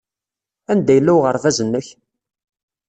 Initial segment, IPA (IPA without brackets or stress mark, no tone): æ